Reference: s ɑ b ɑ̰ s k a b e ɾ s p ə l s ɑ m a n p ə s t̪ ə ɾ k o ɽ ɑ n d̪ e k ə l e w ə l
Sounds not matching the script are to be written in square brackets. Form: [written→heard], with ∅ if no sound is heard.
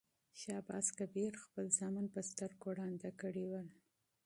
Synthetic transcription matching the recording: [s→ʃ] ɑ b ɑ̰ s k a b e ɾ [s→x] p ə l [s→z] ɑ m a n p ə s t̪ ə ɾ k o ɽ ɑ n d̪ [e→a] k ə [l→ɽ] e w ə l